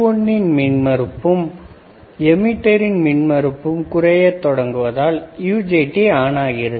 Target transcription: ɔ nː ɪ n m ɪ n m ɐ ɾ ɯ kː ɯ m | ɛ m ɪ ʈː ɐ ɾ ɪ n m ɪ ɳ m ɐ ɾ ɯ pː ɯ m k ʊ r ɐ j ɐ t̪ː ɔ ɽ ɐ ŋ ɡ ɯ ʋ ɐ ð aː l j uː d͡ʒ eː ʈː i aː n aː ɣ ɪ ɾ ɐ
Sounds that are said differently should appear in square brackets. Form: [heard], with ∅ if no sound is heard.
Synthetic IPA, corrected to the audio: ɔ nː ɪ n m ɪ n m ɐ ɾ ɯ [pː] ɯ m | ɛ m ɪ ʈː ɐ ɾ ɪ n m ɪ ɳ m ɐ ɾ ɯ pː ɯ m k ʊ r ɐ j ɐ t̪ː ɔ ɽ ɐ ŋ ɡ ɯ ʋ ɐ ð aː l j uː d͡ʒ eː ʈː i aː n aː ɣ ɪ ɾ ɐ